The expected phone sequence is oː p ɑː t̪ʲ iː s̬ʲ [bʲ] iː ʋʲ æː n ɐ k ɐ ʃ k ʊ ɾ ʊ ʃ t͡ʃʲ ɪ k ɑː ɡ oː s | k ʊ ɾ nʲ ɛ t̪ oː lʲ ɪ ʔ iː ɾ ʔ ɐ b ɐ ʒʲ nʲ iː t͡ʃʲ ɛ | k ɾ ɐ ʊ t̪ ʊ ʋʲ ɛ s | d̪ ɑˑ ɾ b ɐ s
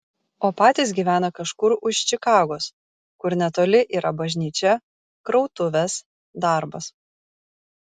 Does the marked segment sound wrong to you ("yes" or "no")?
yes